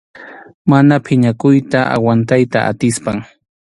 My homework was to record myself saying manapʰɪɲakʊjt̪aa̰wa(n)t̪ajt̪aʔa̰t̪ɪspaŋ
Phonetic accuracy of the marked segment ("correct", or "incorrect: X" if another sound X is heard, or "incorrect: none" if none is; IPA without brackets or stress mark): correct